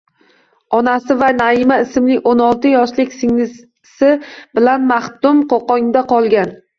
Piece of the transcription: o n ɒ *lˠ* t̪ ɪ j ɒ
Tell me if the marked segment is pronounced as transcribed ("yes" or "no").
yes